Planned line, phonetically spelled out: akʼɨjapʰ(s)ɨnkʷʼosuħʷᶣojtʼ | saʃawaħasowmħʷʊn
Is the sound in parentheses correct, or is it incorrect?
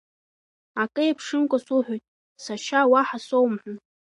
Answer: incorrect